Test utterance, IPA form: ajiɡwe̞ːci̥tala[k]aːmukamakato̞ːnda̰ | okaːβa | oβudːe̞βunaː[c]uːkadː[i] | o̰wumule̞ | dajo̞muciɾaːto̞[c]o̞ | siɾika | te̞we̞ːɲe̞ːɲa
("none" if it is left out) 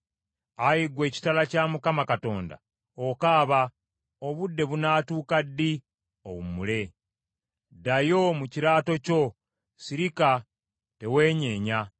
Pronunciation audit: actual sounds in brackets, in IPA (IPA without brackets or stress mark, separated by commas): c, t, i, c